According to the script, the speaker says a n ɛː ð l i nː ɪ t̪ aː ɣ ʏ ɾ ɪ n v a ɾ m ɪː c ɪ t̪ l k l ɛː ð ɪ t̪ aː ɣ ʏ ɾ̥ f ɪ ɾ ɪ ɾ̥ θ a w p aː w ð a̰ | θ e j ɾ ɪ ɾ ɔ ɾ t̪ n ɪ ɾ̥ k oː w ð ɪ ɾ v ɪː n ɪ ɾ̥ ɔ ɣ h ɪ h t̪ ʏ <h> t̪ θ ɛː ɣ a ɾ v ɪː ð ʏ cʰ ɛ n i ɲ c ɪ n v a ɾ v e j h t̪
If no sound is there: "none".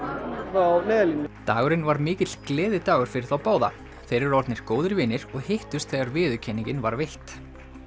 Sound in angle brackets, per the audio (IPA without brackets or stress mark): s